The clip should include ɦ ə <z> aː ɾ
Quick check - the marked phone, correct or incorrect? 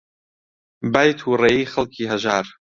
incorrect